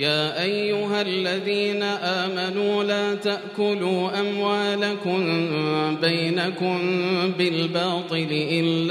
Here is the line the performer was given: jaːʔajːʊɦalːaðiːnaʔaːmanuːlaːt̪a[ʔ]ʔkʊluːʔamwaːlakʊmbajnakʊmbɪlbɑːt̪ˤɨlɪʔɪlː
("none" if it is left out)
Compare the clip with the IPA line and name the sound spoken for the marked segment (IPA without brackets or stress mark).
ʔ